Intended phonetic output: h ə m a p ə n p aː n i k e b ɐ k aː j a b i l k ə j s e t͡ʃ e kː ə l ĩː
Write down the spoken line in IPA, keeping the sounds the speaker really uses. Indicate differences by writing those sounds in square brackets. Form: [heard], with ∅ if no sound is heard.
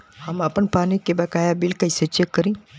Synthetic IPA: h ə m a p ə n p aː n i k e b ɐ k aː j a b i l k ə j s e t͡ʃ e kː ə [ɾ] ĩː